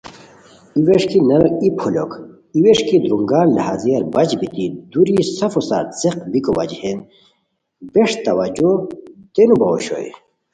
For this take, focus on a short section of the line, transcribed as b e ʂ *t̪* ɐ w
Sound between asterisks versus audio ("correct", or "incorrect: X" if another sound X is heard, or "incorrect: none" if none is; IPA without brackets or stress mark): correct